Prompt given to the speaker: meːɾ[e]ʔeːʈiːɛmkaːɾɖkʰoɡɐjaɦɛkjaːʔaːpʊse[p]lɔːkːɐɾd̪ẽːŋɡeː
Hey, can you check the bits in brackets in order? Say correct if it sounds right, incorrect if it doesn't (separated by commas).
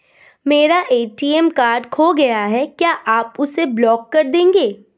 incorrect, incorrect